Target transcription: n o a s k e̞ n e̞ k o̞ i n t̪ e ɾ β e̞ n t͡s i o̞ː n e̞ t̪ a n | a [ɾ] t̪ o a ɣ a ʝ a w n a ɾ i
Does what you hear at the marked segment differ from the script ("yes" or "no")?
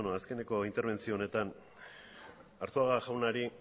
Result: no